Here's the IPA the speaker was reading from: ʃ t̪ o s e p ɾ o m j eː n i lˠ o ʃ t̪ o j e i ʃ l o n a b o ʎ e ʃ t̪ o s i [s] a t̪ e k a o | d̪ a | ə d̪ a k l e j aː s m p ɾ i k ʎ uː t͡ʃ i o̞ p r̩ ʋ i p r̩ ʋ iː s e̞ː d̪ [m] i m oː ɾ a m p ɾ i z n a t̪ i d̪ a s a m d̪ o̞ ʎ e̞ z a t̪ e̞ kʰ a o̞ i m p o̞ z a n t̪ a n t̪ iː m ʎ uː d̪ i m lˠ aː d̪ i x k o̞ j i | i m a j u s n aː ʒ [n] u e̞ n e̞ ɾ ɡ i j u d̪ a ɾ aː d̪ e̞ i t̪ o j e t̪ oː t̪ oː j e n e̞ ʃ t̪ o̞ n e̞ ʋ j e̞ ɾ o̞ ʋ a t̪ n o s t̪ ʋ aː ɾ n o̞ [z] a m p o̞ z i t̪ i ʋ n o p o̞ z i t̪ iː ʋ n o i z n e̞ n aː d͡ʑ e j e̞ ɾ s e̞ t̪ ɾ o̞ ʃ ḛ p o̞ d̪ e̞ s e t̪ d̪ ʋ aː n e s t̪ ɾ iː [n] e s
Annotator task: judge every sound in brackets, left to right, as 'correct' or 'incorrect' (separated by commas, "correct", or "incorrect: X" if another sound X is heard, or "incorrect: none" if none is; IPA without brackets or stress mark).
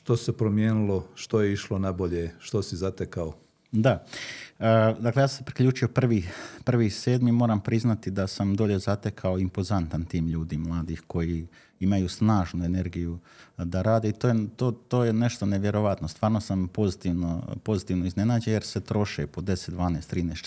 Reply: incorrect: z, correct, correct, incorrect: s, correct